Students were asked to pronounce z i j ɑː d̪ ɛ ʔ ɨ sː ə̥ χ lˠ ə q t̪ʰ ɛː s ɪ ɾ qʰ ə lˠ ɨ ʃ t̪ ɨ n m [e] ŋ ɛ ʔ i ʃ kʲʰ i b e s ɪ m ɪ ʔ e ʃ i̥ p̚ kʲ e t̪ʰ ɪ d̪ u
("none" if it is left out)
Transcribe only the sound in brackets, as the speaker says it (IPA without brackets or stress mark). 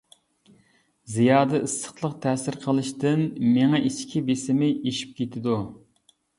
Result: e